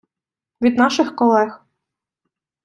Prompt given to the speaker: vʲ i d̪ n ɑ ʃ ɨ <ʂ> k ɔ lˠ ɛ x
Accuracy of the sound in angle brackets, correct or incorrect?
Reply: incorrect: x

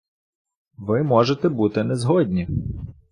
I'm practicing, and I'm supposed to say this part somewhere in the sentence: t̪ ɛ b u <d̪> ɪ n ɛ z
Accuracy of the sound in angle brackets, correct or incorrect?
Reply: incorrect: t̪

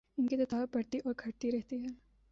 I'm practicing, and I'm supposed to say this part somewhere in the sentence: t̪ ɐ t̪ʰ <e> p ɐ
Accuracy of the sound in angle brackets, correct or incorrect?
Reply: incorrect: a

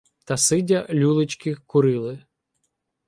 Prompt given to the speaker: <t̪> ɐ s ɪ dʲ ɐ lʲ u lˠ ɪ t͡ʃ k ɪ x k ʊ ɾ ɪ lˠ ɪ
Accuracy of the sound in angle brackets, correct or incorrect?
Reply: correct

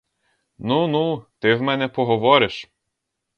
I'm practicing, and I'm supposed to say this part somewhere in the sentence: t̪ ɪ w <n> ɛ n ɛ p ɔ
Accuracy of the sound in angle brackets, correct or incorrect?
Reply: incorrect: m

